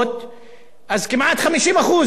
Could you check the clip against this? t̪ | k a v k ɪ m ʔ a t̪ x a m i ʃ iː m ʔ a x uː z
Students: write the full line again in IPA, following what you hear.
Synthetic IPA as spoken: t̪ | ʔ a z k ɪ m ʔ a t̪ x a m i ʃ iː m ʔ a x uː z

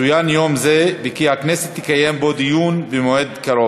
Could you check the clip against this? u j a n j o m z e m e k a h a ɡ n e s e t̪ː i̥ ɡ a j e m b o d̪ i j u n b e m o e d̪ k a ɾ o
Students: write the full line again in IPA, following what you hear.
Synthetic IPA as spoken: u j a n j o m z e b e k i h a k n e s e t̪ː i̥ k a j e m b o d̪ i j u n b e m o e d̪ k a ɾ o

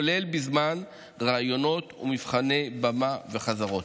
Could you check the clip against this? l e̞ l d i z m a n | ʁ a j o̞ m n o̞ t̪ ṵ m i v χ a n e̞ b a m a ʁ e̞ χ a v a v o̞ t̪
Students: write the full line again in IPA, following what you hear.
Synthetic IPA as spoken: l e̞ l b i z m a n | ʁ a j o̞ n o̞ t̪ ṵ m i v χ a n e̞ b a m a v e̞ χ a z a ʁ o̞ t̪

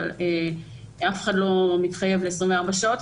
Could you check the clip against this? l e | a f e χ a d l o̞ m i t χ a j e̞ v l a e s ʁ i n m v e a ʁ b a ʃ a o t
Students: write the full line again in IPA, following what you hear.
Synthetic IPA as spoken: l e | a f e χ a d l o̞ m i t χ a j e̞ v l e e s ʁ i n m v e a ʁ b a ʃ a o t

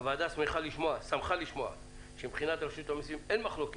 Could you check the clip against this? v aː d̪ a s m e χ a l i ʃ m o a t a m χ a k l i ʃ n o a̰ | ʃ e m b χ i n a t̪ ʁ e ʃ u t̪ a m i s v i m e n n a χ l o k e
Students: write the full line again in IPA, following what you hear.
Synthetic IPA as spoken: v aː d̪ a s m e χ a l i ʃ m o a s a m χ a l i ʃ m o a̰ | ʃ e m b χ i n a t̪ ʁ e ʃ u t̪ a m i s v i m e n m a χ l o k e

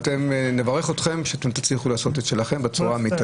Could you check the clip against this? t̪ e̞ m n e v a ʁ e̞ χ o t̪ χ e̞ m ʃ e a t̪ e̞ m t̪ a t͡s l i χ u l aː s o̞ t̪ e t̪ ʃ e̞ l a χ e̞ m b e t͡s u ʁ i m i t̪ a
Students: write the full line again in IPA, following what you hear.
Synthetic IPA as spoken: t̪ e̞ m n e v a ʁ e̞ χ o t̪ χ e̞ m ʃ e a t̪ e̞ m t̪ a t͡s l i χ u l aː s o̞ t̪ e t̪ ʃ e̞ l a χ e̞ m b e t͡s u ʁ a m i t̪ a

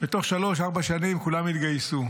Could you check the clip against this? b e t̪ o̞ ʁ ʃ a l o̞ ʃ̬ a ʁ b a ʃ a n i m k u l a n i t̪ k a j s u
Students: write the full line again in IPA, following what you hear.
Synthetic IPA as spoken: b e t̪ o̞ χ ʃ a l o̞ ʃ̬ a ʁ b a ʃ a n i m k u l a m i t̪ ɡ a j s u

